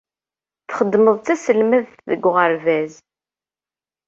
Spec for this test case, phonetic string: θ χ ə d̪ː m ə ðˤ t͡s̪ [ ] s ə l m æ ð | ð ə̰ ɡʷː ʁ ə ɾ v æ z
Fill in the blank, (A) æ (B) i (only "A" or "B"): A